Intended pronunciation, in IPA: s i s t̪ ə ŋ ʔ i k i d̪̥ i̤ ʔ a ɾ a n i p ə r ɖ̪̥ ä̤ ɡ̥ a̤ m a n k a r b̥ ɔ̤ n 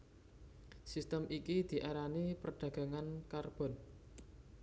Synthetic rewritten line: s i s t̪ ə m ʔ i k i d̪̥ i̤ ʔ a ɾ a n i p ə r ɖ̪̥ ä̤ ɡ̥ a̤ ŋ a n k a r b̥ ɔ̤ n